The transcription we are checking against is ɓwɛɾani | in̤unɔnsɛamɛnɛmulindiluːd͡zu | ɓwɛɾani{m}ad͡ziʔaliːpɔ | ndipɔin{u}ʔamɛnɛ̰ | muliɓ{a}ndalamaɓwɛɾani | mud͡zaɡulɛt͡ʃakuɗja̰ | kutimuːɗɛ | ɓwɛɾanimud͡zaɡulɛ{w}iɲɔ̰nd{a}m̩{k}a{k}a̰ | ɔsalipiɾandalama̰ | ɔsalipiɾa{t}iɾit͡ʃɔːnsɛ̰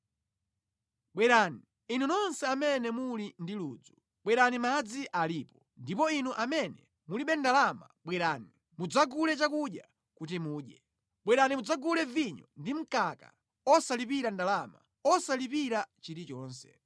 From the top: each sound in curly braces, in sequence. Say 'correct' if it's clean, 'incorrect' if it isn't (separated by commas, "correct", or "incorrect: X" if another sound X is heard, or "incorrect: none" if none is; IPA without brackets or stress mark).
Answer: correct, correct, incorrect: ɛ, incorrect: v, incorrect: i, correct, correct, incorrect: t͡ʃ